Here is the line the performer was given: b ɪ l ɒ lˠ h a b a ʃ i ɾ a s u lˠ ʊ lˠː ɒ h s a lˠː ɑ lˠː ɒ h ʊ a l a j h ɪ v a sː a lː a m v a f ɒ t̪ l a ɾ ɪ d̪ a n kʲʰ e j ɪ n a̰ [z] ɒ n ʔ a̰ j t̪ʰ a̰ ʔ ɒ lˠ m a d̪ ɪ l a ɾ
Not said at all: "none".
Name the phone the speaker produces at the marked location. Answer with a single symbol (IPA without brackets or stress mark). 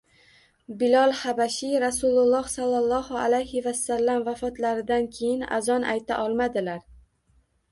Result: z